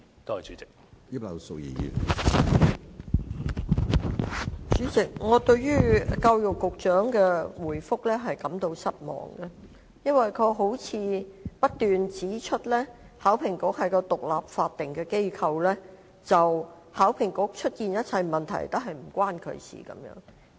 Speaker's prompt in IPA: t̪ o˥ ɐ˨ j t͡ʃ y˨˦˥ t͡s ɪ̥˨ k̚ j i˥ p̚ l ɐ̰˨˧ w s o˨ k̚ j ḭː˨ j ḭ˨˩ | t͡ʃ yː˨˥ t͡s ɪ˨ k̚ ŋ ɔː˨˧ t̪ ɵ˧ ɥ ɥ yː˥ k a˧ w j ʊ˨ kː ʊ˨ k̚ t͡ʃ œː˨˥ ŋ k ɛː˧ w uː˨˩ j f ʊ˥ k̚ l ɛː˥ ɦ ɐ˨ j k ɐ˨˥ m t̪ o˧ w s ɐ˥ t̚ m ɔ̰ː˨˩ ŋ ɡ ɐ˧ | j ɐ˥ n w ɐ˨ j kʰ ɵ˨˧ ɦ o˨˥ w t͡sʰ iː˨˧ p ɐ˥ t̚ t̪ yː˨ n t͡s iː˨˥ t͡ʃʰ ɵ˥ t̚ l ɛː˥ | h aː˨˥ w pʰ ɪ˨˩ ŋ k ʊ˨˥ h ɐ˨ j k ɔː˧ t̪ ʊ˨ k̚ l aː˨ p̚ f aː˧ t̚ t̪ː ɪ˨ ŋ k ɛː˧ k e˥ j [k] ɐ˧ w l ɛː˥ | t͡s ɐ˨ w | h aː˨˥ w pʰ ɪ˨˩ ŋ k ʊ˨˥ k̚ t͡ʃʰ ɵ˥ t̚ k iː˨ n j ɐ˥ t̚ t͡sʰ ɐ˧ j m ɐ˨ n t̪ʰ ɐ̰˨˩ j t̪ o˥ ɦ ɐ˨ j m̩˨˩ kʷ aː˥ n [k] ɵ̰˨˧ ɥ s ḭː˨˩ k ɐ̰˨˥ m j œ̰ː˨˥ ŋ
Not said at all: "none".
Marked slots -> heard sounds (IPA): kʰ, kʰ

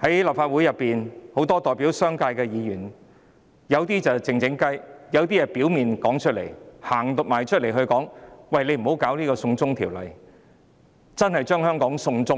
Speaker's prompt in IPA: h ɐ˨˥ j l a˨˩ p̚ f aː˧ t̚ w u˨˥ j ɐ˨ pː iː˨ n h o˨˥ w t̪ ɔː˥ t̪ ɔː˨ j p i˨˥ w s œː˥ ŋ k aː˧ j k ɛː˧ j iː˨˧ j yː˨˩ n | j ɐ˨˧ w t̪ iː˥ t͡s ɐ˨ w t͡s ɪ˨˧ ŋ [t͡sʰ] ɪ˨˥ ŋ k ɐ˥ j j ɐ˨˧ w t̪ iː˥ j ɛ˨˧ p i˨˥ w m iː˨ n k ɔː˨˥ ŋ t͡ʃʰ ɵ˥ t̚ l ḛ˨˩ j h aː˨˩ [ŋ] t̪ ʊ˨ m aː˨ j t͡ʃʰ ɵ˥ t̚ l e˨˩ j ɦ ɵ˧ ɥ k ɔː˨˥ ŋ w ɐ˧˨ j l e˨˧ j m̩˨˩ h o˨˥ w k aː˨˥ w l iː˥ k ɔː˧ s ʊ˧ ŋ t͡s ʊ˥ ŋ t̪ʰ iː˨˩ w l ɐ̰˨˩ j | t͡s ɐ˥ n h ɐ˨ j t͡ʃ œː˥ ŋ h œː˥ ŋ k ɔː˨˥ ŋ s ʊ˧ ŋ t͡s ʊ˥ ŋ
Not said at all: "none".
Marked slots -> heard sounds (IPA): t͡s, ŋ

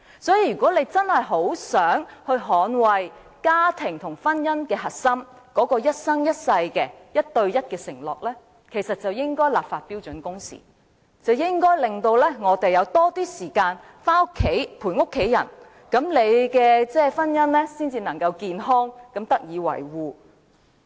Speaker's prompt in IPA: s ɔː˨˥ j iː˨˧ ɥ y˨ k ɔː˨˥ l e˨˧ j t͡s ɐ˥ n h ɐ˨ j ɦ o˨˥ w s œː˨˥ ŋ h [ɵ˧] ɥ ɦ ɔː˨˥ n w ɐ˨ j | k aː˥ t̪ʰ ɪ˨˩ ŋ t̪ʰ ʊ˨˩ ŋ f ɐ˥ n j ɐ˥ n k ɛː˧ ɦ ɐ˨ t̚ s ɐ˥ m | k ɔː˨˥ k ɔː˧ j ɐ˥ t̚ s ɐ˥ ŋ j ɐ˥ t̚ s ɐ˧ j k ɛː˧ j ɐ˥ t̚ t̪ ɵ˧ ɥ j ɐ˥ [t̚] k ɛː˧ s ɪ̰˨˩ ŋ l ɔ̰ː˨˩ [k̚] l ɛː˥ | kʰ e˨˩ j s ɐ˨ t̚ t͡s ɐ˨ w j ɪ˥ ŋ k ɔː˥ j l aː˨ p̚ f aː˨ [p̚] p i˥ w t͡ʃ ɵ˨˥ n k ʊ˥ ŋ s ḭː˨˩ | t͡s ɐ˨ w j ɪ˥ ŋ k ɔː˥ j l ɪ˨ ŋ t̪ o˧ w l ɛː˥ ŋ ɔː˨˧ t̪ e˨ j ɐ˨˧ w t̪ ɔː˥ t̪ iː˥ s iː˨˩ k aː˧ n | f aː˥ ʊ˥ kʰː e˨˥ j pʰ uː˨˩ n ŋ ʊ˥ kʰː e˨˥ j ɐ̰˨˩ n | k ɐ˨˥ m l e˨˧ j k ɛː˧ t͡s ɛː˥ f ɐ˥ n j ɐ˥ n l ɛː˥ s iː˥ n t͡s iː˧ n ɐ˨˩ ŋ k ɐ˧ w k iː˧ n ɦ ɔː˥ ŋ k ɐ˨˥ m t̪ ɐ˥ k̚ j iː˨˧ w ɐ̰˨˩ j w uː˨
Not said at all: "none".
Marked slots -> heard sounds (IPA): ɵ˧, t̚, k̚, t̚

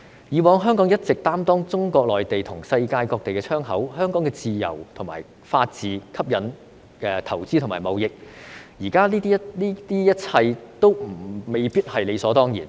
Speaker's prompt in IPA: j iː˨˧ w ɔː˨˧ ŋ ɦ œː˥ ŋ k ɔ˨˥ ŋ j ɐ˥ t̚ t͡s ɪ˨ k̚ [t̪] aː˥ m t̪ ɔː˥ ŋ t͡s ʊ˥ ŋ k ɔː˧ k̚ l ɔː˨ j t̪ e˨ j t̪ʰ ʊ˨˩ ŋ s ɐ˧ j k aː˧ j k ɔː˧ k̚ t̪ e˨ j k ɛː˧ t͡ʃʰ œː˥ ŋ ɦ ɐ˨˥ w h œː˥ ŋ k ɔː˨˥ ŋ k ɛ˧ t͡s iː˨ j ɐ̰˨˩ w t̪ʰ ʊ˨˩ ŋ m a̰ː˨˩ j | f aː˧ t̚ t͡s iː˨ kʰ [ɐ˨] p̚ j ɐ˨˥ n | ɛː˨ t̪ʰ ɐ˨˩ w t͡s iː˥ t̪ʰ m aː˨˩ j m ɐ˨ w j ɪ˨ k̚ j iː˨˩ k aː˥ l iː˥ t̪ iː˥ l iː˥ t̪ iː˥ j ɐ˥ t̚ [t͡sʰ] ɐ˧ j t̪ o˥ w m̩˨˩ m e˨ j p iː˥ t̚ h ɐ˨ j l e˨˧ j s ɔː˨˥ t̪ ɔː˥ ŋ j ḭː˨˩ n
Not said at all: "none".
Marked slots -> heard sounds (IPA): t̪, ɐ˥, t͡sʰ

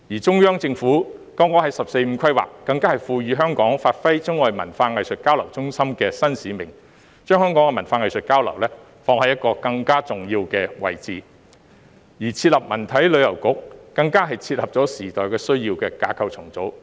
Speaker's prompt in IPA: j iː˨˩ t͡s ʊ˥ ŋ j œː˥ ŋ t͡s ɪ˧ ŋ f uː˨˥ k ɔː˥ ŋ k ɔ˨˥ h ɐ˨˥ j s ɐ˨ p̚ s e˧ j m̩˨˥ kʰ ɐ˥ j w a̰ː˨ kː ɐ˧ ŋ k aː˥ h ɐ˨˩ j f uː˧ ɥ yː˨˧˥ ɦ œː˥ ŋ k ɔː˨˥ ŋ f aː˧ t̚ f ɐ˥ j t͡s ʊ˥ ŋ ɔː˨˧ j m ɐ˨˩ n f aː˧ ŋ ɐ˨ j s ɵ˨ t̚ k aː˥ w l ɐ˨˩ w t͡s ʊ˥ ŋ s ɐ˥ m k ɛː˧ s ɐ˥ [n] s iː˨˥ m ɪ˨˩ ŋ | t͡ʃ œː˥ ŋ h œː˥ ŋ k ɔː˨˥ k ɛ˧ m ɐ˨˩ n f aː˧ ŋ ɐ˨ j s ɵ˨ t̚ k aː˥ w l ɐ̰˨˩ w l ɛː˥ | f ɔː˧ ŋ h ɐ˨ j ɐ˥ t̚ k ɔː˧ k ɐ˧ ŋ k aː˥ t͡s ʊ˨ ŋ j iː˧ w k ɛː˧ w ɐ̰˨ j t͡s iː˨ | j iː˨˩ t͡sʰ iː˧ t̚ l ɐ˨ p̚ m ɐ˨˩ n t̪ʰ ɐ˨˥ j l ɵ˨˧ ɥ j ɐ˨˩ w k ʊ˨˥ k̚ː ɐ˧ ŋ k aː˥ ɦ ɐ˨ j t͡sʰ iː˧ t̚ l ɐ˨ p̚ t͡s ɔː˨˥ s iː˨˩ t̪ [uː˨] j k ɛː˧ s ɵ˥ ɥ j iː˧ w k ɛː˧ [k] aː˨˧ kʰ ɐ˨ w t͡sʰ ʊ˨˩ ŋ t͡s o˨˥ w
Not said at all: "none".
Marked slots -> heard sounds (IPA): n, ɔː˨, k

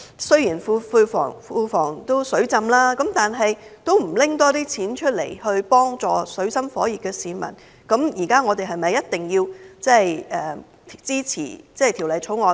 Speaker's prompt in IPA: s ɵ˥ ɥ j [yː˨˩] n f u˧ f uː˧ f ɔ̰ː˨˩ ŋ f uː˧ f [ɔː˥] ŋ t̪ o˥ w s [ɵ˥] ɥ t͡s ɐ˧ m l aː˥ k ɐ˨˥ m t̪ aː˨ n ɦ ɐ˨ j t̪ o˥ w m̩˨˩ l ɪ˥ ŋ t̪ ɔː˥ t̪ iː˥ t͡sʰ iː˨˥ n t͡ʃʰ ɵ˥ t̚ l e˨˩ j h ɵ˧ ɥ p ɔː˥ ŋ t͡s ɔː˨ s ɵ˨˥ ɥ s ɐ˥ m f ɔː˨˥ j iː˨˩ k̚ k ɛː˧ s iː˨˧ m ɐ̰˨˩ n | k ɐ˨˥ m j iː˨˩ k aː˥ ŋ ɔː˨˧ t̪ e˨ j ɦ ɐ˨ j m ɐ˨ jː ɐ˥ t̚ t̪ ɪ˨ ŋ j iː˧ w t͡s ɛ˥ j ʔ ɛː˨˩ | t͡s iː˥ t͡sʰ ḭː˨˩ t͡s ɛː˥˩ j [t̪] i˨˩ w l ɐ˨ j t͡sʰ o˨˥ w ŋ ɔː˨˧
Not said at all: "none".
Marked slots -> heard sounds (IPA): iː˨˩, ɔː˨˩, ɵ˨˥, t̪ʰ

